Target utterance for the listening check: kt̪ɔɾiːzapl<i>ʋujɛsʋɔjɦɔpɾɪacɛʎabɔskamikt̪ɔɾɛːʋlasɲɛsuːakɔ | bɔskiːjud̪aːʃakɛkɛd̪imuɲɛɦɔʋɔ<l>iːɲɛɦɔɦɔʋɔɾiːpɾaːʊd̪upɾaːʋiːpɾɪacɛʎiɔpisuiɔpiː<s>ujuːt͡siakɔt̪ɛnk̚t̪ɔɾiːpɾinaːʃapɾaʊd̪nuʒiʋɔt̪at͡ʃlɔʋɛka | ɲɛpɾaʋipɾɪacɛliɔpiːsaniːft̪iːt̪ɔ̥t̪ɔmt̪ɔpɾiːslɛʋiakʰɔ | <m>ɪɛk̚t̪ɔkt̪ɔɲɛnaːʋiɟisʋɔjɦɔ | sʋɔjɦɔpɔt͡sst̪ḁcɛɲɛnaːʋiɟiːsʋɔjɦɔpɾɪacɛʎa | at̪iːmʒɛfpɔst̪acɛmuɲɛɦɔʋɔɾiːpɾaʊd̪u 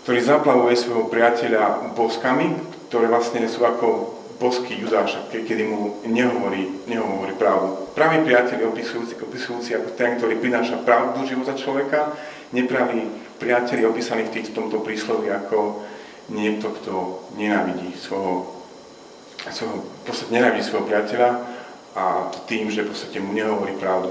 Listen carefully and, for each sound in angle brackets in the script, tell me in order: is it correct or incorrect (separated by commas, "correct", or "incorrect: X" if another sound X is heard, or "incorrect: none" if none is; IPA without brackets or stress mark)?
incorrect: a, incorrect: ɾ, correct, incorrect: ɲ